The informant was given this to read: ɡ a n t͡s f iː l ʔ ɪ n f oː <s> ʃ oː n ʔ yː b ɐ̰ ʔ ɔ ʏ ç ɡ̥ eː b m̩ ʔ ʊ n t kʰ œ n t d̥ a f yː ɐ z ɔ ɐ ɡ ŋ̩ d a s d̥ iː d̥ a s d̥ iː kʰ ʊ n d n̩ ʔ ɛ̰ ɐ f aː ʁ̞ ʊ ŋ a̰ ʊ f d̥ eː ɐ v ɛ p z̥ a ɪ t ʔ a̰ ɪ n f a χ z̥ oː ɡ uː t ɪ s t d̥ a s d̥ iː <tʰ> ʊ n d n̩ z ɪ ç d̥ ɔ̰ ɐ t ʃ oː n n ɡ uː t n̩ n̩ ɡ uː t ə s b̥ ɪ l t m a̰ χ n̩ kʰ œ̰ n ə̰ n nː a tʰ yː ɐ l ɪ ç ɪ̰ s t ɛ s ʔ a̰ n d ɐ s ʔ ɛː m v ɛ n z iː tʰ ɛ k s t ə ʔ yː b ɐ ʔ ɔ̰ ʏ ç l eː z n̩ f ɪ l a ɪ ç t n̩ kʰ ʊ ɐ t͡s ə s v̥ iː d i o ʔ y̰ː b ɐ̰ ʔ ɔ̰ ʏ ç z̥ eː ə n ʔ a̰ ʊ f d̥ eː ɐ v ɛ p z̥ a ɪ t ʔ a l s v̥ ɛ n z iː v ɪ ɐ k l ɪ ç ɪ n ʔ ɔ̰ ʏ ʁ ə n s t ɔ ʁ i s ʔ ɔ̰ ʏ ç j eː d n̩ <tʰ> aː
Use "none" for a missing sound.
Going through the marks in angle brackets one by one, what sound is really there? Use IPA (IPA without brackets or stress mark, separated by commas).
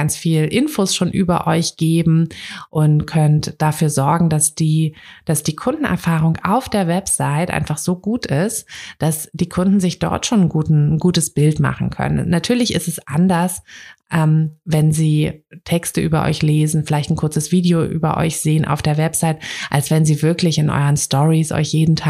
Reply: s, kʰ, tʰ